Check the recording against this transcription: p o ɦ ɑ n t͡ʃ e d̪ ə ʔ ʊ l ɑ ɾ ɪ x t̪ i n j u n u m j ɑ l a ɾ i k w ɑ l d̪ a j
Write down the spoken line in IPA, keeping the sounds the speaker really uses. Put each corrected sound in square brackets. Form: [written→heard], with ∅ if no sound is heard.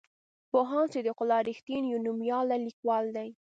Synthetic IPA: p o ɦ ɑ n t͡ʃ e d̪ ə [ʔ→q] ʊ l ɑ ɾ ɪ x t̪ i n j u n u m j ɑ l a [ɾ→l] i k w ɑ l d̪ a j

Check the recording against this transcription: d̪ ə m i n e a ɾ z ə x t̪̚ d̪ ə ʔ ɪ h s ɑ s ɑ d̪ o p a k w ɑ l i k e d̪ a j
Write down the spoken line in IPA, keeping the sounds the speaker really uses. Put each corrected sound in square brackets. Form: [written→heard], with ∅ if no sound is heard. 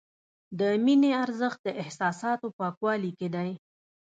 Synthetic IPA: d̪ ə m i n e a ɾ z ə x t̪̚ d̪ ə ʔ ɪ h s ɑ s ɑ [d̪→t̪] o p [a→ɑ] k w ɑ l i k e d̪ a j

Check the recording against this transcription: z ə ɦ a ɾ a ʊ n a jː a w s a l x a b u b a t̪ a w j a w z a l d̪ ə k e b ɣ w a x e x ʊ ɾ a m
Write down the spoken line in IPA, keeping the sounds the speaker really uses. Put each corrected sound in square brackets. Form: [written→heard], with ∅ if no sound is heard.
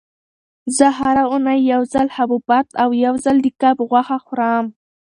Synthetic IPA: z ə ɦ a ɾ a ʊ n a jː a w [s→z] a l [x→h] a b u b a t̪ a w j a w z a l d̪ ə k [e→a] b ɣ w a x [e→a] x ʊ ɾ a m

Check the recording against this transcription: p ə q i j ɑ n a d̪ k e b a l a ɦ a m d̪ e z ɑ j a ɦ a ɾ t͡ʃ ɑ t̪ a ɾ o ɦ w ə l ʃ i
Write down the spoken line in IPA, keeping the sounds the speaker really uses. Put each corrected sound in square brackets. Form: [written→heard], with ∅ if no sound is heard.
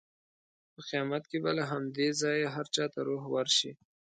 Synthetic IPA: p ə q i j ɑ [n→m] a [d̪→t̪] k e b a l a ɦ a m d̪ e z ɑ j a ɦ a ɾ t͡ʃ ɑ t̪ a ɾ o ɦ w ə [l→ɾ] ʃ i

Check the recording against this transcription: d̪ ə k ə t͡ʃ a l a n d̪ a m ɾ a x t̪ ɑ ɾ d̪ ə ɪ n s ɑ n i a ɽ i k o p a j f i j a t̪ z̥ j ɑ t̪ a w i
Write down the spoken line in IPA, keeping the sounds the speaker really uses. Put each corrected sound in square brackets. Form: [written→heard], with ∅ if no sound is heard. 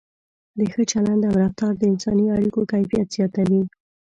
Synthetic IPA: d̪ ə [k→x] ə t͡ʃ a l a n d̪ a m ɾ a [x→f] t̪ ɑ ɾ d̪ ə ɪ n s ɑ n i a ɽ i k o [p→k] a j f i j a t̪ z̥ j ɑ t̪ a w i

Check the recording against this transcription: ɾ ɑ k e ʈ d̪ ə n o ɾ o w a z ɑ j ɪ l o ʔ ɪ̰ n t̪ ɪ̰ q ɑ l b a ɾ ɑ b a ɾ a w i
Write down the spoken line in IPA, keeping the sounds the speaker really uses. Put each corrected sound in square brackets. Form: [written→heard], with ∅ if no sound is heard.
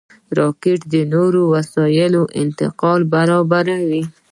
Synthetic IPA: ɾ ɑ k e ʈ d̪ ə n o ɾ o w a [z→s] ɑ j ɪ l o ʔ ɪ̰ n t̪ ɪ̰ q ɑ l b a ɾ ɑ b a ɾ a w i

